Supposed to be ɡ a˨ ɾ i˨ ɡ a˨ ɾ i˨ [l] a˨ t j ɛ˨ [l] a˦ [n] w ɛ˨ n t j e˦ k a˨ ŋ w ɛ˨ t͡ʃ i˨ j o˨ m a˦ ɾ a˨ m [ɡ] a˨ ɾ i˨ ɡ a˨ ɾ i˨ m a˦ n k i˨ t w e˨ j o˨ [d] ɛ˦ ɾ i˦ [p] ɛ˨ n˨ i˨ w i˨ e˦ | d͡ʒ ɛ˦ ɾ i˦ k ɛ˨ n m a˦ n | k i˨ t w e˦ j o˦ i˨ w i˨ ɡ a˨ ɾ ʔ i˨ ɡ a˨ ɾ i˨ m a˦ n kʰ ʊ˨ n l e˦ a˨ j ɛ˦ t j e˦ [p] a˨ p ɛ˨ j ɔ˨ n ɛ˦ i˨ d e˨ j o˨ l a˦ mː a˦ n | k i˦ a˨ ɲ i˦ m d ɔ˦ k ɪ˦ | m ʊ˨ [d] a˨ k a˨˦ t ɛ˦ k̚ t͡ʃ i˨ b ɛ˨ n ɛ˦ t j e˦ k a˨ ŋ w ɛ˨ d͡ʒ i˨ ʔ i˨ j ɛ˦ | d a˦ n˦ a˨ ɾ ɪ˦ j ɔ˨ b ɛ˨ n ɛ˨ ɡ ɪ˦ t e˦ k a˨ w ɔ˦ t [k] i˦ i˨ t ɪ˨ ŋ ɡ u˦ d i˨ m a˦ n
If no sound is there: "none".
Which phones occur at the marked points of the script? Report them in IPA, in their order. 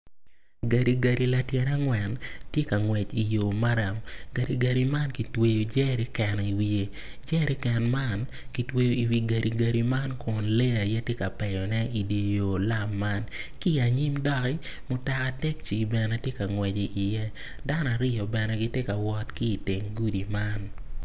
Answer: l, ɾ, ŋ, ɡ, d͡ʒ, k, k, t, k

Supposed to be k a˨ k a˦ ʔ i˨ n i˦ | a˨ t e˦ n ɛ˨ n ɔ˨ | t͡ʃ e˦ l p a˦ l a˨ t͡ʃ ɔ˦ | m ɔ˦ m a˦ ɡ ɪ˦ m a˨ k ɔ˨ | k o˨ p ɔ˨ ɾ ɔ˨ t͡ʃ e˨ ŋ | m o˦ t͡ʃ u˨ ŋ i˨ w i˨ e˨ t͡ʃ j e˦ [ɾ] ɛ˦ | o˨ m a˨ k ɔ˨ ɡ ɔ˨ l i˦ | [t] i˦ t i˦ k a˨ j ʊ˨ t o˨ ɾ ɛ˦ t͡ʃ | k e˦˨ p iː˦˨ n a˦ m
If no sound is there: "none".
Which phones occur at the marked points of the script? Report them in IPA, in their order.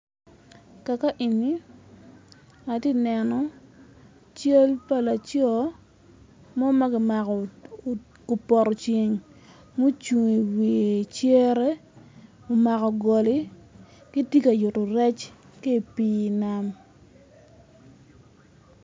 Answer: ɾ, k

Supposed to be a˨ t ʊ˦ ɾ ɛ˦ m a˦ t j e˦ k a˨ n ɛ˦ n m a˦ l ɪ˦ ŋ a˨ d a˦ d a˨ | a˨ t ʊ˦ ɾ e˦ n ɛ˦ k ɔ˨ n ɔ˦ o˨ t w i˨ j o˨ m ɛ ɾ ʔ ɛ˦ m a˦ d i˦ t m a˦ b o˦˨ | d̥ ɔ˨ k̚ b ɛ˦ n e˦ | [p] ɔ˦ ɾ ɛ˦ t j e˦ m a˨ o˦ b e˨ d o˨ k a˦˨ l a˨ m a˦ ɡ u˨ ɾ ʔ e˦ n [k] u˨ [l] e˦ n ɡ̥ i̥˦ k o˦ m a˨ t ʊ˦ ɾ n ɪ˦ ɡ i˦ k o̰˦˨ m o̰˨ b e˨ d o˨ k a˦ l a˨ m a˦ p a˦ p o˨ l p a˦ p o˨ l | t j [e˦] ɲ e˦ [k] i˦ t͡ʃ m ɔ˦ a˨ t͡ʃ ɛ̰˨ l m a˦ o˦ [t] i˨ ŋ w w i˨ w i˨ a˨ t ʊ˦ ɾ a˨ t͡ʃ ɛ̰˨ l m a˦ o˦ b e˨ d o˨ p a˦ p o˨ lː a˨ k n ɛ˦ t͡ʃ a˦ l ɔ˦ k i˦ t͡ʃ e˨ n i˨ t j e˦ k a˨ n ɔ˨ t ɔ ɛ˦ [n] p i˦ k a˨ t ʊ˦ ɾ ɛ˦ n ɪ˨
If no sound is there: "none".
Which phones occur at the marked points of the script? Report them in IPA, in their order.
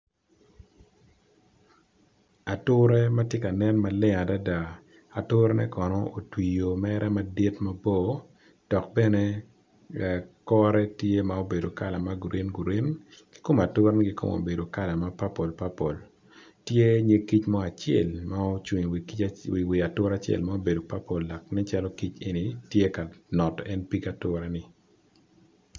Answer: k, ɡ, ɾ, e˦, k, t͡ʃ, n

